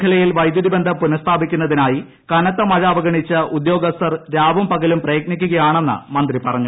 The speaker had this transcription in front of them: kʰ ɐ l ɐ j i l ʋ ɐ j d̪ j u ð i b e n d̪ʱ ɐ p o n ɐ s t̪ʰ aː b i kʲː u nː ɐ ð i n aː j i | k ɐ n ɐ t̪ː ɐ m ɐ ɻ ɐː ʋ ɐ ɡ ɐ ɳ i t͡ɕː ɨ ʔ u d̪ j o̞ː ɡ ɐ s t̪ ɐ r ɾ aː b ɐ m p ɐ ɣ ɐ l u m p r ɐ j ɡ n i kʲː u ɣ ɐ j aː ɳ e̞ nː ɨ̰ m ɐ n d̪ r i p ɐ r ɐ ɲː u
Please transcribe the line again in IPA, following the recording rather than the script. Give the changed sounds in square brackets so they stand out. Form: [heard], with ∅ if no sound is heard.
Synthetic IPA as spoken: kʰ ɐ l ɐ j i l ʋ ɐ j d̪ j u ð i b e n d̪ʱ ɐ p [u] n ɐ s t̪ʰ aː b i kʲː u nː ɐ ð i n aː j i | k ɐ n ɐ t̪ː ɐ m ɐ ɻ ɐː ʋ ɐ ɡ ɐ ɳ i t͡ɕː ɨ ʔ u d̪ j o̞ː ɡ ɐ s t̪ ɐ r ɾ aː b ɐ m p ɐ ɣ ɐ l u m p r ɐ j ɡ n i kʲː u ɣ ɐ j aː ɳ e̞ nː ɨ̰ m ɐ n d̪ r i p ɐ r ɐ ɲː u